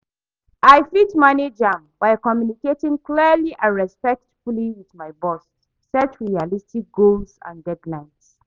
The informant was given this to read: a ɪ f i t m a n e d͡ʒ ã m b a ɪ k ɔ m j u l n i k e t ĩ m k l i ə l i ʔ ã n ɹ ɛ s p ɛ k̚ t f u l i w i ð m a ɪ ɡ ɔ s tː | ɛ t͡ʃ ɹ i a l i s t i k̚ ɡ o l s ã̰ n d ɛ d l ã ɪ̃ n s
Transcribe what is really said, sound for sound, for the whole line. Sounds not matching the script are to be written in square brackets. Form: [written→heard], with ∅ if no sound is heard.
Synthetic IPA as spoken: a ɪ f i t m a n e d͡ʒ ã m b a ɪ k ɔ m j u [l→∅] n i k e t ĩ [m→ŋ] k l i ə l i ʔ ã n ɹ ɛ s p ɛ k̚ t f u l i w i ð m a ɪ [ɡ→b] ɔ s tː | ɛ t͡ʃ ɹ i a l i s t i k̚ ɡ o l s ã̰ n d ɛ d l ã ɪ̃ n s